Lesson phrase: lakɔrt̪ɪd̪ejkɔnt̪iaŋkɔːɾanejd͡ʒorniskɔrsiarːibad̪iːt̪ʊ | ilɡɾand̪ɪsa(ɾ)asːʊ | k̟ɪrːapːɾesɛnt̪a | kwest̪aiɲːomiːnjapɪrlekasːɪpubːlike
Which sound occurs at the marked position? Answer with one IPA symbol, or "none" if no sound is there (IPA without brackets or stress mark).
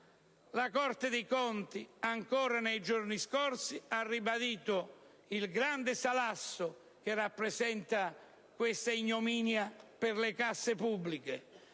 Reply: l